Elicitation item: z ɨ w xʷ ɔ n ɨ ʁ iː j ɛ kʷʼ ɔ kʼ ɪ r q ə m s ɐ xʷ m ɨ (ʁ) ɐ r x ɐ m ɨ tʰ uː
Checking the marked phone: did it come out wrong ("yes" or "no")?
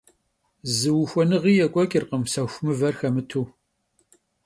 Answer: yes